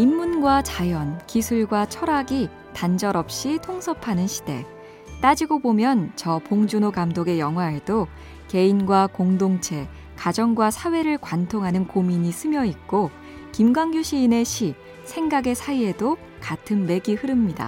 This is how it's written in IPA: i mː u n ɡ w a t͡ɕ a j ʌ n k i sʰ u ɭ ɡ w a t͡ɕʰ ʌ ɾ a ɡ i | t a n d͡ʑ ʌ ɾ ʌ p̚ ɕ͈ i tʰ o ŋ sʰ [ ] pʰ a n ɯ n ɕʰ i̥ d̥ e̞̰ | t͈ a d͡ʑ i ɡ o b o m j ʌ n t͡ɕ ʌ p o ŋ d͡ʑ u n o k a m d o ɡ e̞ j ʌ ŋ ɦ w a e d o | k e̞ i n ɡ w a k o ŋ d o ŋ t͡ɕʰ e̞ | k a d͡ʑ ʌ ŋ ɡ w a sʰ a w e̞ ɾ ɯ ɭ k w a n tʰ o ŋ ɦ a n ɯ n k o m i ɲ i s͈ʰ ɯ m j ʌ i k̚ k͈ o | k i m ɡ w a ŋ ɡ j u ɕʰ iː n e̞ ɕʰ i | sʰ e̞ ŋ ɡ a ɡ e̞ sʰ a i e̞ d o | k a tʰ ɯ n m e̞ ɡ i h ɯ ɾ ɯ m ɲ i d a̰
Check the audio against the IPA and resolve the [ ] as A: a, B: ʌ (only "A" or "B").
B